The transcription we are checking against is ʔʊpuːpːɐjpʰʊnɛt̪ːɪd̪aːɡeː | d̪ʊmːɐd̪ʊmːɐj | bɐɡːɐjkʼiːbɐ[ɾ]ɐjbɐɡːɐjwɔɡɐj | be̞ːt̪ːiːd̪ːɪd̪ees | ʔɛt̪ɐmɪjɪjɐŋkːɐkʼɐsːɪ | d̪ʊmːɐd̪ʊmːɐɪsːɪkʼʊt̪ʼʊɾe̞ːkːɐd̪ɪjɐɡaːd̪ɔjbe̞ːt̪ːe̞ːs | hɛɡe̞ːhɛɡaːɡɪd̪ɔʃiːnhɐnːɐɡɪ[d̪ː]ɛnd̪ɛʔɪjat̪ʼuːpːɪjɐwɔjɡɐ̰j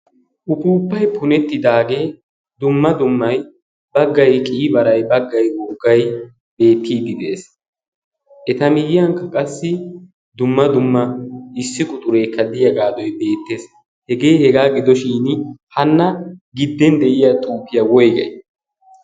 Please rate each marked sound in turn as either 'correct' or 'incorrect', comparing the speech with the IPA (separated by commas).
correct, correct